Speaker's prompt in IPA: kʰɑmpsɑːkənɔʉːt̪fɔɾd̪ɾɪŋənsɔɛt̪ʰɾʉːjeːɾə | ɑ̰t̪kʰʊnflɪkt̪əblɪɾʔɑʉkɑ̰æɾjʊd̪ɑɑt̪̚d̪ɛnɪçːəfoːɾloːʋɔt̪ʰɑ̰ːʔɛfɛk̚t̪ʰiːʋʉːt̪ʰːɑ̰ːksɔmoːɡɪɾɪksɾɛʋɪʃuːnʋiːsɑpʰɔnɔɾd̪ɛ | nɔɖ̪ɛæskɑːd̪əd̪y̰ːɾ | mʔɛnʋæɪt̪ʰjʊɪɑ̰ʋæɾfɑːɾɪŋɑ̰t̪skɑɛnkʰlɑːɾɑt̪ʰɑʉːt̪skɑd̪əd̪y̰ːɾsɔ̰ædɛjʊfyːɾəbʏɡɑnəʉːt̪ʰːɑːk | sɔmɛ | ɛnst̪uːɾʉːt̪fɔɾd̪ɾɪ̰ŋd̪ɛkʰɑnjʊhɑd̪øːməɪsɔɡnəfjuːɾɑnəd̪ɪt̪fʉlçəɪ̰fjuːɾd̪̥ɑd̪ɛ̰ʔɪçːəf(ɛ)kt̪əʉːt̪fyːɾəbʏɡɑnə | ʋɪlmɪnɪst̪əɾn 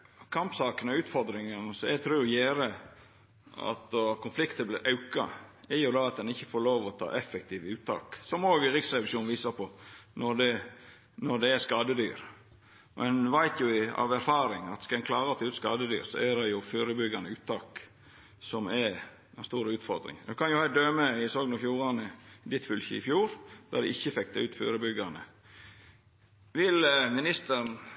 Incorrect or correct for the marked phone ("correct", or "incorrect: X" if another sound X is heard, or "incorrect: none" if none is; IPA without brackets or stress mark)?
correct